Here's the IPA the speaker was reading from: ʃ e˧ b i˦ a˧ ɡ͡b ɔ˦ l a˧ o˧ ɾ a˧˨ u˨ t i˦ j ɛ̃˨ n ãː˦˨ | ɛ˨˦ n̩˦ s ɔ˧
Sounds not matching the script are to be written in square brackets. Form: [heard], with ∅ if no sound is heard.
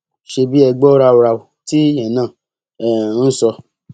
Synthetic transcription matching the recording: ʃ e˧ b i˦ [ɛ˧] ɡ͡b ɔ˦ [ɾ] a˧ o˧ ɾ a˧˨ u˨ t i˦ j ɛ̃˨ n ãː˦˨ | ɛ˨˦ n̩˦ s ɔ˧